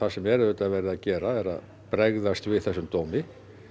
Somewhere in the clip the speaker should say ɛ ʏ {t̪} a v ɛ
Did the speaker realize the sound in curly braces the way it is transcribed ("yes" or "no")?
yes